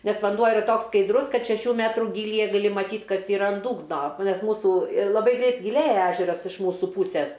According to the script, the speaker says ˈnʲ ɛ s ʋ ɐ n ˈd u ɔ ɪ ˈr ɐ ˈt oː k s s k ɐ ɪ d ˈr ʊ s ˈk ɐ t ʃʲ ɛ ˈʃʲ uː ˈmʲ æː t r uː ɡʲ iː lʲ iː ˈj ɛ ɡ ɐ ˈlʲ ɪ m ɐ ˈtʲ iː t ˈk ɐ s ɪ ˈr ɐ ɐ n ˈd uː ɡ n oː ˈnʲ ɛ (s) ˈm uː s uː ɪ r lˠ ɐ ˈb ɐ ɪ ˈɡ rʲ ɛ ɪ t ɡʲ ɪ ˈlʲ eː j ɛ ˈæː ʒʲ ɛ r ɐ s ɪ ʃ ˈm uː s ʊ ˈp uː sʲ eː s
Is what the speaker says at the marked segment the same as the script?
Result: yes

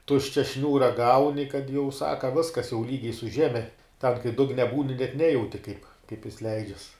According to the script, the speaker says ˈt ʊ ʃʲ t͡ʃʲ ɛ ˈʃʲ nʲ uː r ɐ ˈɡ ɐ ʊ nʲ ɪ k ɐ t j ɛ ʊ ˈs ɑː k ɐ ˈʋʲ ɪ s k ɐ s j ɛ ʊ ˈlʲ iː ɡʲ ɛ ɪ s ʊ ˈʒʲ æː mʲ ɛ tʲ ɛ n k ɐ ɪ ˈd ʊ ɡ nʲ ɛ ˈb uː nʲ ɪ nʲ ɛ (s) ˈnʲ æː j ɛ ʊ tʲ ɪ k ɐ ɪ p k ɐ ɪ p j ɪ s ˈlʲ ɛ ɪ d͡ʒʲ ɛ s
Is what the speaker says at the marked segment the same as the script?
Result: no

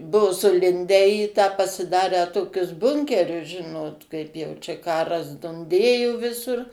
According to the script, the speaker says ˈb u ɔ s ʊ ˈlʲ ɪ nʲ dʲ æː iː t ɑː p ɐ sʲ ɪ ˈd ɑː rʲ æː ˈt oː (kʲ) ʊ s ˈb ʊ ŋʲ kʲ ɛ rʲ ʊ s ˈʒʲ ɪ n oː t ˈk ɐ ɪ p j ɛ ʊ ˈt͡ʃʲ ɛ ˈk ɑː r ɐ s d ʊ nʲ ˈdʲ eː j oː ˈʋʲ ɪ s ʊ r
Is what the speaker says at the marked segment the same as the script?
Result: yes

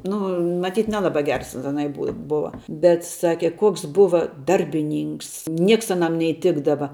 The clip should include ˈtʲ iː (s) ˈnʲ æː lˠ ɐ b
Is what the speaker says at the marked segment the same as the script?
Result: no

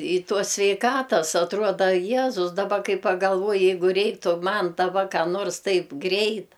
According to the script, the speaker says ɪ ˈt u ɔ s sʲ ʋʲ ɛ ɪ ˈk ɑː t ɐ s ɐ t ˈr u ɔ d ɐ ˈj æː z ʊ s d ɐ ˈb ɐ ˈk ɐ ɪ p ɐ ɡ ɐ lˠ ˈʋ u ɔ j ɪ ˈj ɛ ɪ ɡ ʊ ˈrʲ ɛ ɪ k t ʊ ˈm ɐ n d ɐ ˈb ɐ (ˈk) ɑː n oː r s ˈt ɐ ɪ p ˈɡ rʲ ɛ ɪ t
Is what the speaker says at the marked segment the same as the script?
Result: yes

